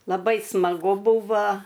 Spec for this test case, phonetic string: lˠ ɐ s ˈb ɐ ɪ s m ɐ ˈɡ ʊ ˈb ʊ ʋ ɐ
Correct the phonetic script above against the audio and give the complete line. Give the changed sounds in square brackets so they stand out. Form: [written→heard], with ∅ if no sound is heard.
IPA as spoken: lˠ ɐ [s→∅] ˈb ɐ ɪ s m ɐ ˈɡ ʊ ˈb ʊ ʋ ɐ